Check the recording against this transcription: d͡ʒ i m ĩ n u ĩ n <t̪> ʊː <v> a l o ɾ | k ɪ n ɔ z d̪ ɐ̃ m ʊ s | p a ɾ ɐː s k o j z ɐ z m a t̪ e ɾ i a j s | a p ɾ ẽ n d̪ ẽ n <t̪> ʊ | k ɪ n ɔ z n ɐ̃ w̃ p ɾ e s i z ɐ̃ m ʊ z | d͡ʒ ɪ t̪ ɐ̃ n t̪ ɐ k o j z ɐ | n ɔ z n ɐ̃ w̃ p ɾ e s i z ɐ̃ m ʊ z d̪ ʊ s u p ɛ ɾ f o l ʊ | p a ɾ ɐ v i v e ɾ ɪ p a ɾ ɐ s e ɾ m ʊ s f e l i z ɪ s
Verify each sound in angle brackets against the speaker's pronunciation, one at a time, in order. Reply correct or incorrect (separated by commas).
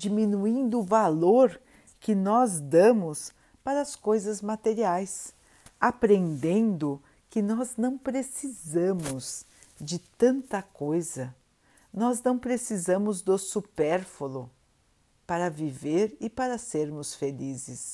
incorrect, correct, incorrect